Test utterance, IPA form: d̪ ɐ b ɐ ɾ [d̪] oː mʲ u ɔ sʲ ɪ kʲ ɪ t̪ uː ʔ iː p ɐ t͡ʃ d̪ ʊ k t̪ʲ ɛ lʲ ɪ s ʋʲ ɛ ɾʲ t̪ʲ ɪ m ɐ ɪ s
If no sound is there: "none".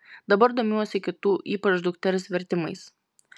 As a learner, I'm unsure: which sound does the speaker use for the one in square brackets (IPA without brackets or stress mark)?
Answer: d̪